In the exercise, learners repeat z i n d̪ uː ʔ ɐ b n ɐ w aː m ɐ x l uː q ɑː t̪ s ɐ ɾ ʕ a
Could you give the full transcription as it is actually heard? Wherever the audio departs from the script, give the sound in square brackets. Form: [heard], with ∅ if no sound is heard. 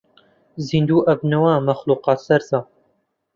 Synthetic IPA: z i n d̪ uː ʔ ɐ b n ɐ w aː m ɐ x l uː q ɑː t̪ s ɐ ɾ [z] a

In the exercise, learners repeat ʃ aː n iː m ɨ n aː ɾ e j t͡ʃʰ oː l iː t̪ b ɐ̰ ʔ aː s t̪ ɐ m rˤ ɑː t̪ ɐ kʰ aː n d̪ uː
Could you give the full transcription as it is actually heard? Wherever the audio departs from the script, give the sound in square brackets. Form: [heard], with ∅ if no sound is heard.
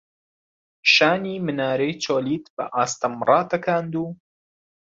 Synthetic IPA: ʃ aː n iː m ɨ n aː ɾ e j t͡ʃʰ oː l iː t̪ b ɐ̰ ʔ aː s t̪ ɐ m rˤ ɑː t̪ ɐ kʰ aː n d̪ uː

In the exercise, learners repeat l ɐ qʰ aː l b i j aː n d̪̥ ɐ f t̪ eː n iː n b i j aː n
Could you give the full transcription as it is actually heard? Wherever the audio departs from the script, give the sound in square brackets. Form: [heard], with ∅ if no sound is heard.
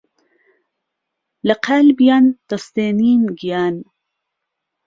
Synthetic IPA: l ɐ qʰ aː l b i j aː n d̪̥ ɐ [s] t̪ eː n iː n [ɡ] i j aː n

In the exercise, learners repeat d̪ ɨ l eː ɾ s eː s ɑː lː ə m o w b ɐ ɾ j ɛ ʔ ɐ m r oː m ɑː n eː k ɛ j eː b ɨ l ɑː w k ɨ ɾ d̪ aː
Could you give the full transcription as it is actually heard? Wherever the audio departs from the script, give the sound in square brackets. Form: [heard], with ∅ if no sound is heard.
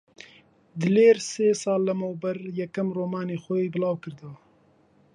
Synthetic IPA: d̪ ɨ l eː ɾ s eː s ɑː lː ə m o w b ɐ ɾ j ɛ [k] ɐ m r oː m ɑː n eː [x] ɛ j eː b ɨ l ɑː w k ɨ ɾ d̪ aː

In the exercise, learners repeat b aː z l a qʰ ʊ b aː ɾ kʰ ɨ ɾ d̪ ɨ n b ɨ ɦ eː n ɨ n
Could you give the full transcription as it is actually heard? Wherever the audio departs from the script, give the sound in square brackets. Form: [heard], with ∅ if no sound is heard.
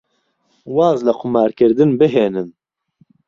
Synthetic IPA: [w] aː z l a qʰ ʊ [m] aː ɾ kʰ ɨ ɾ d̪ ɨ n b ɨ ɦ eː n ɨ n

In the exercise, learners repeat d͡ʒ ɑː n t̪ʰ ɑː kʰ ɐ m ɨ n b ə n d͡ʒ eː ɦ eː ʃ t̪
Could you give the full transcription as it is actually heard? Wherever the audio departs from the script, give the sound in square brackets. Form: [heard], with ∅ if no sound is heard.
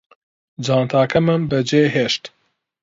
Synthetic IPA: d͡ʒ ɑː n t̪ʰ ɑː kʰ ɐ m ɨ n b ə [∅] d͡ʒ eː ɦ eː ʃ t̪

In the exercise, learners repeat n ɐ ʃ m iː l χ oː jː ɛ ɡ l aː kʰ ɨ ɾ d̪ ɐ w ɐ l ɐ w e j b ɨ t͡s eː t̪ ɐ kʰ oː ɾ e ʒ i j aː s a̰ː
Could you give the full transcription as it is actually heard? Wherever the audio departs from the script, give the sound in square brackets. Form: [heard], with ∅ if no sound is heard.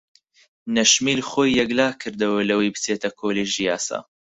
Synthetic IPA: n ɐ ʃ m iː l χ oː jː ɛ ɡ l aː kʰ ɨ ɾ d̪ ɐ w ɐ l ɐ w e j b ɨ t͡s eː t̪ ɐ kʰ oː [l] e ʒ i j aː s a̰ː

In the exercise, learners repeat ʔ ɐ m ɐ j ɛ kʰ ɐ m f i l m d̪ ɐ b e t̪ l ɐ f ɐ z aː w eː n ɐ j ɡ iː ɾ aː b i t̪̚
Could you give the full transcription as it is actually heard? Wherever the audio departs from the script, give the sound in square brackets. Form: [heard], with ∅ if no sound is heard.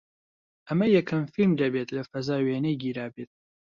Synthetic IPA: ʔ ɐ m ɐ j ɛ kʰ ɐ m f i l m d̪ ɐ b e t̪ l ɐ f ɐ z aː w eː n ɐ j ɡ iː ɾ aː b [e] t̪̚

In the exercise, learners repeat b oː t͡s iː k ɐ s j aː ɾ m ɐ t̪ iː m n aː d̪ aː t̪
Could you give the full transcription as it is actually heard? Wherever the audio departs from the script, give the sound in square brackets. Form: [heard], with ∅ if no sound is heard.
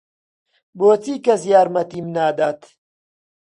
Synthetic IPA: b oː t͡s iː k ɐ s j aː ɾ m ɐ t̪ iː m n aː d̪ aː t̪

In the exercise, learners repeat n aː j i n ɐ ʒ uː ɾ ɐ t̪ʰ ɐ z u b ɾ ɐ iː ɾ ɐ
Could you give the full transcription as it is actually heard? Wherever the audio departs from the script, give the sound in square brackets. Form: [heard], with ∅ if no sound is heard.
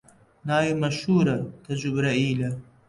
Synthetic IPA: n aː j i [m] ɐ [ʃ] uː ɾ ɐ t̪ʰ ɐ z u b ɾ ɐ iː [l] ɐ

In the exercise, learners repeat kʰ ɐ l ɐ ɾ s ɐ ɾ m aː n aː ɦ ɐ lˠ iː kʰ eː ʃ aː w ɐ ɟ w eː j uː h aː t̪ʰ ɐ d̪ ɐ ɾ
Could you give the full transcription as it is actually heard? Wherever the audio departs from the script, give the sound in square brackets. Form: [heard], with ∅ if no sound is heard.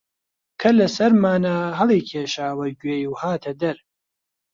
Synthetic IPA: kʰ ɐ l ɐ [∅] s ɐ ɾ m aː n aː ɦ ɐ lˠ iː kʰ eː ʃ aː w ɐ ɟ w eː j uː h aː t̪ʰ ɐ d̪ ɐ ɾ

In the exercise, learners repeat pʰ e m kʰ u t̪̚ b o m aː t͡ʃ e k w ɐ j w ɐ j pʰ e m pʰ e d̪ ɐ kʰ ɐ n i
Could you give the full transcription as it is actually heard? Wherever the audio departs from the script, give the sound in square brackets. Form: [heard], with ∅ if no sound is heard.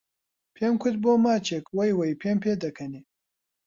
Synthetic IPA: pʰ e m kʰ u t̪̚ b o m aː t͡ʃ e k w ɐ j w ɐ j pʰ e m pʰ e d̪ ɐ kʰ ɐ n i

